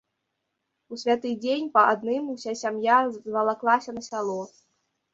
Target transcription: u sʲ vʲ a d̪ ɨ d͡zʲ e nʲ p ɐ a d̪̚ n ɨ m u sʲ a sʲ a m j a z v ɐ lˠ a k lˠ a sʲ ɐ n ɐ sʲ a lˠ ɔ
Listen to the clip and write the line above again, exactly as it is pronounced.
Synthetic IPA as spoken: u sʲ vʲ a t̪ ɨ d͡zʲ e nʲ p ɐ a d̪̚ n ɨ m u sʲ a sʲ a m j a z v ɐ lˠ a k lˠ a sʲ ɐ n ɐ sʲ a lˠ ɔ